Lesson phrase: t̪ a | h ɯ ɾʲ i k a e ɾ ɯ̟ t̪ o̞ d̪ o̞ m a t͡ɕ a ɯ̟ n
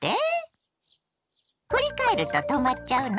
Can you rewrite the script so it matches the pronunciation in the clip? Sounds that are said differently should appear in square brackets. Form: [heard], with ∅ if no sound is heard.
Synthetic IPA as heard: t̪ [e] | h ɯ ɾʲ i k a e ɾ ɯ̟ t̪ o̞ [t̪] o̞ m a t͡ɕ a ɯ̟ n